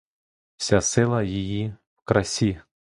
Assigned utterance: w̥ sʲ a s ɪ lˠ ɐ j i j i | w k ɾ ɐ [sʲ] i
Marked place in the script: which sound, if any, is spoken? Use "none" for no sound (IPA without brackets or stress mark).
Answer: sʲ